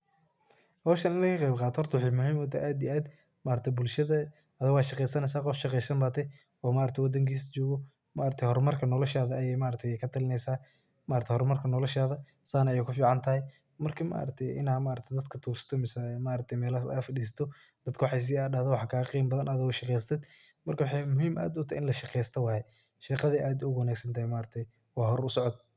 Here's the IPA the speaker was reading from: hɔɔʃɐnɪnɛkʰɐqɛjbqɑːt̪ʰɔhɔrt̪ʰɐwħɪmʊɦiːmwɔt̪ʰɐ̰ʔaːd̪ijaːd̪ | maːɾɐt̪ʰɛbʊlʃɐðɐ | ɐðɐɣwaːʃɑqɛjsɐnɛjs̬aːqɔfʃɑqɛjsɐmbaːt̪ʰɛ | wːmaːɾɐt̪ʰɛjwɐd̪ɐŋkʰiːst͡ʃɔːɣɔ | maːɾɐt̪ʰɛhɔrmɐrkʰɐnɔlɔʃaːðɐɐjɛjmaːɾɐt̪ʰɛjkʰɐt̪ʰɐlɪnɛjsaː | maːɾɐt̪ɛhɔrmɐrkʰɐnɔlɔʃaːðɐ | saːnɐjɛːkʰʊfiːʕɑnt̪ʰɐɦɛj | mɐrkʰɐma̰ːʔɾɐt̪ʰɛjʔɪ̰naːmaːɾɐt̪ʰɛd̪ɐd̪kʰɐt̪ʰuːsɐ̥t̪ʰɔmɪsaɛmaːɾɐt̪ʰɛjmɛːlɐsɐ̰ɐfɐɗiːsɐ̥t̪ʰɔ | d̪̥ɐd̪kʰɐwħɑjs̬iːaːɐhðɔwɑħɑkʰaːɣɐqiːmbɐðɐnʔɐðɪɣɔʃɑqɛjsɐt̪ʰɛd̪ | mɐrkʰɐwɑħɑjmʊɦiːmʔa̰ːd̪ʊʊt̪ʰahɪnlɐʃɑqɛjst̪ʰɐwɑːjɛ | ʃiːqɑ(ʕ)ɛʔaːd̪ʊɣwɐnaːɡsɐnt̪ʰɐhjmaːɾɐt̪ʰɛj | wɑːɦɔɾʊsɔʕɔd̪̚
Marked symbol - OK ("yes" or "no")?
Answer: no